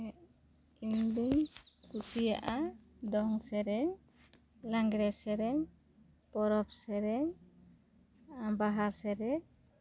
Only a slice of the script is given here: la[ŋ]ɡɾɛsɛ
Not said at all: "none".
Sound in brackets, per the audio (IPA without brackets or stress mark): ŋ